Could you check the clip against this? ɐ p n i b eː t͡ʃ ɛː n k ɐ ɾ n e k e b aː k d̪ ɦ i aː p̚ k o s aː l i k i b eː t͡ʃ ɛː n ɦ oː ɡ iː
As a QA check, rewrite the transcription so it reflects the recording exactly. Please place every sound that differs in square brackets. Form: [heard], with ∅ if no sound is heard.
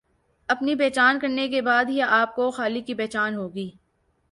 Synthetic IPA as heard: ɐ p n i b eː t͡ʃ [aː] n k ɐ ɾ n e k e b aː [∅] d̪ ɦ i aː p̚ k o [x] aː l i k i b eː t͡ʃ [aː] n ɦ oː ɡ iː